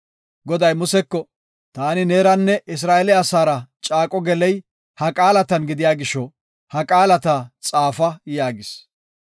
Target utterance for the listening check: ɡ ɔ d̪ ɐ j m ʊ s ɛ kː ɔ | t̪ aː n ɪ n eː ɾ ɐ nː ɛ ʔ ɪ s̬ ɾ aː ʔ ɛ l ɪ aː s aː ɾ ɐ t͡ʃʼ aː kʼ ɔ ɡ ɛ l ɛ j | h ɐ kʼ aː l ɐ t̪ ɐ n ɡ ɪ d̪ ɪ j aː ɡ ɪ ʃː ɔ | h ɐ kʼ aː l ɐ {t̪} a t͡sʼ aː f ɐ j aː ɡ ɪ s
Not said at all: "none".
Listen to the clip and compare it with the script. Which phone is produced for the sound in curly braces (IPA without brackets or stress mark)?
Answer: t̪